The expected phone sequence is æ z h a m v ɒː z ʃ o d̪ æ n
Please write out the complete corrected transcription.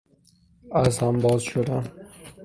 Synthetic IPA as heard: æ z h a m b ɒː z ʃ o d̪ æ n